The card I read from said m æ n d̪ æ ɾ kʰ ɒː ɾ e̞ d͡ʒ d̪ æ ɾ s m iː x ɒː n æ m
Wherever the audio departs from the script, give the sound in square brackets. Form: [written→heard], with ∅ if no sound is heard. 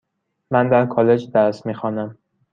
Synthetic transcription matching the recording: m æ n d̪ æ ɾ kʰ ɒː [ɾ→l] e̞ d͡ʒ d̪ æ ɾ s m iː x ɒː n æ m